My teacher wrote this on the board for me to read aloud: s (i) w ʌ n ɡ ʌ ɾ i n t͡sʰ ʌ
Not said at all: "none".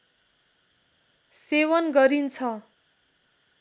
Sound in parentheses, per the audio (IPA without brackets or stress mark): e